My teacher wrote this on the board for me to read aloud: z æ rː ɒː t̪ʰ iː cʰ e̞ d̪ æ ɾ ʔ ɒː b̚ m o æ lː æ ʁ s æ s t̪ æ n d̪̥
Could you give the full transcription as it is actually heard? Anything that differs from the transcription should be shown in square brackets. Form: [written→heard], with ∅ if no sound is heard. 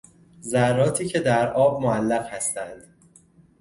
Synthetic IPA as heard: z æ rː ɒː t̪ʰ iː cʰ e̞ d̪ æ ɾ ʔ ɒː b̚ m o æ lː æ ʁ [s→h] æ s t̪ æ n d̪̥